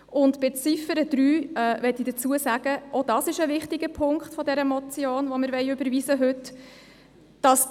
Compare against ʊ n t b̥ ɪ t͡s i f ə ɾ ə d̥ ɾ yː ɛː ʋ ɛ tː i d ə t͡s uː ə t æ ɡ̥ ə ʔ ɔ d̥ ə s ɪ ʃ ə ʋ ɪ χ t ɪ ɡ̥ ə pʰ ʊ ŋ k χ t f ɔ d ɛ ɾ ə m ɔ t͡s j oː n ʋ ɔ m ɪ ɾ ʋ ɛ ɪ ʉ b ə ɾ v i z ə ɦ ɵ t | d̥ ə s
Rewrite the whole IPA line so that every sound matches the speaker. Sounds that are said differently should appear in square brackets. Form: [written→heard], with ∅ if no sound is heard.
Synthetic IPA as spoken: ʊ n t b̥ ɪ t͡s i f ə ɾ ə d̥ ɾ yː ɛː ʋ ɛ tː i d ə t͡s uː ə [t→s] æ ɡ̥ ə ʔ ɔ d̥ [ə→ɑ] s ɪ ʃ ə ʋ ɪ χ t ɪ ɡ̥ ə pʰ ʊ ŋ k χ t f ɔ d ɛ ɾ ə m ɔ t͡s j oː n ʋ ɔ m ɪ ɾ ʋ ɛ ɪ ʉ b ə ɾ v i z ə ɦ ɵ t | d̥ [ə→ɑ] s